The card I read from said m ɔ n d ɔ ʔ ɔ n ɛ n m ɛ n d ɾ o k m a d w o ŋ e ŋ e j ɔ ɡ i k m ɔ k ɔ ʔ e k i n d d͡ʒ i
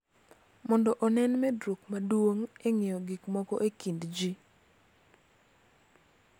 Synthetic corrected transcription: m ɔ n d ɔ ʔ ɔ n ɛ n m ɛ d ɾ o k m a d w o ŋ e ŋ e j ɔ ɡ i k m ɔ k ɔ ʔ e k i n d d͡ʒ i